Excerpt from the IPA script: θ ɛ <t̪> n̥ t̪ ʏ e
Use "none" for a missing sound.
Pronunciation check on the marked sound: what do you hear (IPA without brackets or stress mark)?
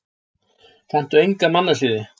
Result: none